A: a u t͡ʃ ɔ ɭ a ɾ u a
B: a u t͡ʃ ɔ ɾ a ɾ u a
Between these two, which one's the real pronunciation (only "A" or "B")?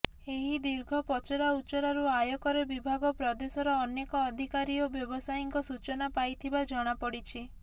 B